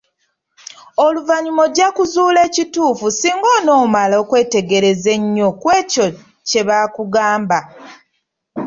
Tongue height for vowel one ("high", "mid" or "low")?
mid